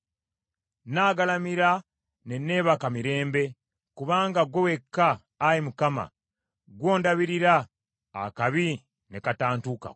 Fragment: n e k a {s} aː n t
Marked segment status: incorrect: t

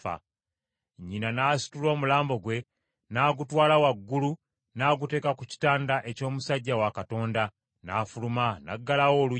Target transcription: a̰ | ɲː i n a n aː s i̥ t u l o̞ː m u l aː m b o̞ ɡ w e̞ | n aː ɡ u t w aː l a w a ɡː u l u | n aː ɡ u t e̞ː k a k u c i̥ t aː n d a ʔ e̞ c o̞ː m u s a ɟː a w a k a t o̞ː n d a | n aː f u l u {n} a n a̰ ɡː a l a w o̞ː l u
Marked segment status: incorrect: m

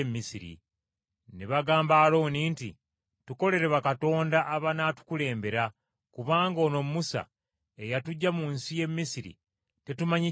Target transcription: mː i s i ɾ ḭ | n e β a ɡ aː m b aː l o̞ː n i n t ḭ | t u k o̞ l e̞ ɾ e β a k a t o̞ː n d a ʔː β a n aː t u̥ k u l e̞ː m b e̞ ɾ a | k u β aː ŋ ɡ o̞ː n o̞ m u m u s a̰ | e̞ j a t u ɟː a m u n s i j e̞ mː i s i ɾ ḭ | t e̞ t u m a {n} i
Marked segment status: incorrect: ɲ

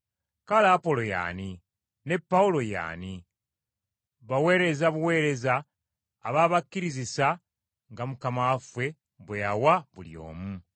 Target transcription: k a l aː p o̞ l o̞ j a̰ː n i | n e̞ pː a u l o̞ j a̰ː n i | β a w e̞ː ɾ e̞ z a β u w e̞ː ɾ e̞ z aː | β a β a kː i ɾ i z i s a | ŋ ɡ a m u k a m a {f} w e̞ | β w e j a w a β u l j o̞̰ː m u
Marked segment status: correct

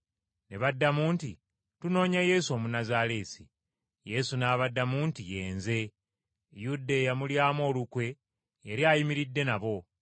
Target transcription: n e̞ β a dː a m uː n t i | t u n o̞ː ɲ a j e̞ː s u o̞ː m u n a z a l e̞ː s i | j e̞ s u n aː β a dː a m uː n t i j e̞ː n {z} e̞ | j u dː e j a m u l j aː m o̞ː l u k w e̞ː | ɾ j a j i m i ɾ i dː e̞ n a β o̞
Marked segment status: correct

